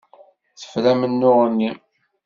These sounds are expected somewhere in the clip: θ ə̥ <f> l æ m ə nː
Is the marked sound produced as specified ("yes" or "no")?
yes